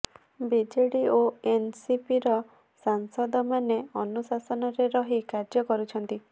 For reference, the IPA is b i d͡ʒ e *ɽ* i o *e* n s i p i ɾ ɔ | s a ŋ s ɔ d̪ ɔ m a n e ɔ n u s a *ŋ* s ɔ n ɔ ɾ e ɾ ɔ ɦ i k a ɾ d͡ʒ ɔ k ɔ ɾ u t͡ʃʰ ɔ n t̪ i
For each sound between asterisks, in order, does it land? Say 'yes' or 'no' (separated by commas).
yes, yes, no